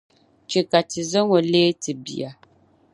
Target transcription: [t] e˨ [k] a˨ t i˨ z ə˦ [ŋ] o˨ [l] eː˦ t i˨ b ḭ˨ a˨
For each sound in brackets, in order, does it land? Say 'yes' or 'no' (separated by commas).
no, yes, yes, yes